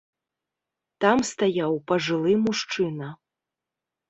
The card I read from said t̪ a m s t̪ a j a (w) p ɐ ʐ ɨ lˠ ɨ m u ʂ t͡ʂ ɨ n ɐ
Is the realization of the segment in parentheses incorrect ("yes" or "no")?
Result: no